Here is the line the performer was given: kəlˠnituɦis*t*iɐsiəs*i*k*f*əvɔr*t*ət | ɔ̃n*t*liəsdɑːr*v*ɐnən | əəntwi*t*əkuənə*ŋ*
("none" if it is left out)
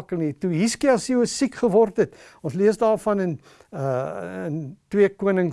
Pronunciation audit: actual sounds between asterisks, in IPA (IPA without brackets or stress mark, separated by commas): k, i, χ, t, s, f, none, ŋ